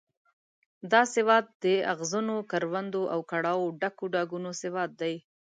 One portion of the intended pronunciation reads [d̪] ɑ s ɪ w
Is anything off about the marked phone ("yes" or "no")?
no